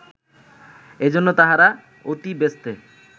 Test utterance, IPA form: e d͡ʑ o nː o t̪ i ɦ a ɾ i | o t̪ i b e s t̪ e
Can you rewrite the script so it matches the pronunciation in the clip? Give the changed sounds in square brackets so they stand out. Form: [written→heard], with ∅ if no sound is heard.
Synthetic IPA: e d͡ʑ o nː o t̪ [i→a] ɦ a ɾ [i→a] | o t̪ i b e s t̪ e